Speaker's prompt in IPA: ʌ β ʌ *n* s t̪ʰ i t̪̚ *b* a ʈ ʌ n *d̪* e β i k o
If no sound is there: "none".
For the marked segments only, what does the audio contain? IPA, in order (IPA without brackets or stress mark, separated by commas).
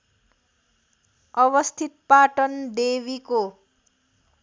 none, p, d̪